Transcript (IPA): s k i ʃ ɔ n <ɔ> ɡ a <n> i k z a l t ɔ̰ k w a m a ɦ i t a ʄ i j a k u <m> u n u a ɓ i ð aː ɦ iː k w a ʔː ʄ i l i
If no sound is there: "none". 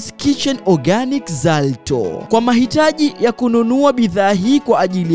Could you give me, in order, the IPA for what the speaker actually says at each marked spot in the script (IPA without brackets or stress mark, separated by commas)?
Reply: ɔ, n, n